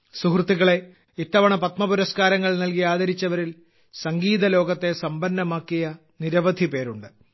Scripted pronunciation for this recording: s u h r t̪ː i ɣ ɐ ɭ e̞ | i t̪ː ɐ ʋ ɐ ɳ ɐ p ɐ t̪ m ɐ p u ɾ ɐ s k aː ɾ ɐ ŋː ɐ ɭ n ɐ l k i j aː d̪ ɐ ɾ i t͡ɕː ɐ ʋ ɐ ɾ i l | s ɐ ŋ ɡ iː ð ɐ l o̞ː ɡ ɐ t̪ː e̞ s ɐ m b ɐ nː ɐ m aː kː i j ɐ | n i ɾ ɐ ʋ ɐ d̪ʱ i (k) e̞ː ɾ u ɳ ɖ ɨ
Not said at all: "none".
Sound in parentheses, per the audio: p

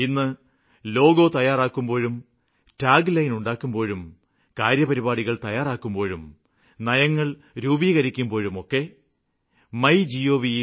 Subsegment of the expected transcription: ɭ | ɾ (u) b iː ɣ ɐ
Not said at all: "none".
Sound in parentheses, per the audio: uː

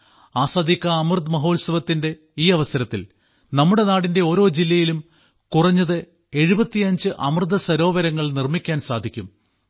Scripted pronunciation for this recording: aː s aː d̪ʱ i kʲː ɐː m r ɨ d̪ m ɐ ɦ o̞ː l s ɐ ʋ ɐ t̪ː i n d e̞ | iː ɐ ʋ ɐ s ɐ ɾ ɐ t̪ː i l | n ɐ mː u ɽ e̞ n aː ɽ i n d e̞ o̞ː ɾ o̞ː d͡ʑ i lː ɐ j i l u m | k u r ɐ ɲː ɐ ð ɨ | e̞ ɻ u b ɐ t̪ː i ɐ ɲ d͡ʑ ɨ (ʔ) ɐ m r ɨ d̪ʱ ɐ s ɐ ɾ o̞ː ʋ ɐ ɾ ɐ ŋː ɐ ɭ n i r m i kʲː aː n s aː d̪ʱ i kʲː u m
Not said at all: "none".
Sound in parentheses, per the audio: ʔ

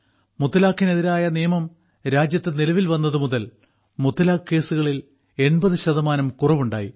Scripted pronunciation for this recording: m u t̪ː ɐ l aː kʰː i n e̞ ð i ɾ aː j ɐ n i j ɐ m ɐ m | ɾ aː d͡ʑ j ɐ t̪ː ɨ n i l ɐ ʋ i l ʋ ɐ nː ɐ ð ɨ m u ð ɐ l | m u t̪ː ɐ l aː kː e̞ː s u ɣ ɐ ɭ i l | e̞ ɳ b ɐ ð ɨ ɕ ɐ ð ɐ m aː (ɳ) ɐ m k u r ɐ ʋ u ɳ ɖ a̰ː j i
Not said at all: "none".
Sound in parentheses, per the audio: n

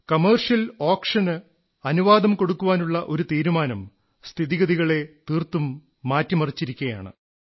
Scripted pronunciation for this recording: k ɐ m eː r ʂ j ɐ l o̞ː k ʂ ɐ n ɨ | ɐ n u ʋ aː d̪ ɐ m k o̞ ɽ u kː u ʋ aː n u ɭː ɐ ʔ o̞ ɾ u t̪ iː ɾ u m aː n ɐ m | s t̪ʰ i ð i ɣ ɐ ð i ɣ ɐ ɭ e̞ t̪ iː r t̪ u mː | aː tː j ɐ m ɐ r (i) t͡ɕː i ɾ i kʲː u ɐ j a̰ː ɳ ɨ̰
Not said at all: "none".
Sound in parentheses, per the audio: i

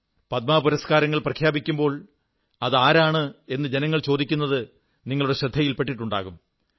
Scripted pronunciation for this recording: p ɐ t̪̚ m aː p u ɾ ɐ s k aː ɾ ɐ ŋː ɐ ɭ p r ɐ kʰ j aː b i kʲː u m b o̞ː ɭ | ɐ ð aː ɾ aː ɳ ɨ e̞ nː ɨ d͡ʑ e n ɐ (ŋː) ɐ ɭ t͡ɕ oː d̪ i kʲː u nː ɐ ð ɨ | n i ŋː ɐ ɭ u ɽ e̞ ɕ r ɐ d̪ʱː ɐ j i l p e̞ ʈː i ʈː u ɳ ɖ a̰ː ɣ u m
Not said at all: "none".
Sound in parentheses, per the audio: ŋː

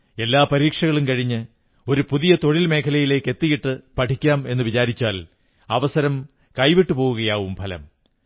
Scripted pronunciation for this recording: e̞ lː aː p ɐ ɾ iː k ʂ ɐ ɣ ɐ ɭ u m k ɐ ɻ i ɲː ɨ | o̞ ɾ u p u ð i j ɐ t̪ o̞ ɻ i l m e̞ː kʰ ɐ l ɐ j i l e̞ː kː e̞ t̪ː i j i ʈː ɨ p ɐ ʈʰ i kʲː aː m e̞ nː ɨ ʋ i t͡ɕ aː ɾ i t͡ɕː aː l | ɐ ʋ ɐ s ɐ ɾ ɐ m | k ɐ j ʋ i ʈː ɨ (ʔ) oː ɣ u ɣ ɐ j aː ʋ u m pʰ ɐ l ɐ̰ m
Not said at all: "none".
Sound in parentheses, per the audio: p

